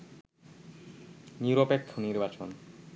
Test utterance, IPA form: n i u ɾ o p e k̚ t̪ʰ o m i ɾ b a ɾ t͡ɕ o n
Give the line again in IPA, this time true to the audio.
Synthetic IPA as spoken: n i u ɾ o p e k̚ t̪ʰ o n i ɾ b a t͡ɕ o n